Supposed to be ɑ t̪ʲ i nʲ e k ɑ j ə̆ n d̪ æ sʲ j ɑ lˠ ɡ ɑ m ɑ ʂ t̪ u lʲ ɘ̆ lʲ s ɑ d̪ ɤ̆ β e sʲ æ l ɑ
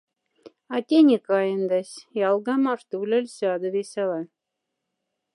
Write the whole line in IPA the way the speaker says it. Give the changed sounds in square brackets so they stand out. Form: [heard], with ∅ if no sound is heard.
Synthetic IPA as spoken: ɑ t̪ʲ [e] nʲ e k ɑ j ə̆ n d̪ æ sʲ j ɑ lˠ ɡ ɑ m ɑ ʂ t̪ u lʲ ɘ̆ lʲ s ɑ d̪ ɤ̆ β e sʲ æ l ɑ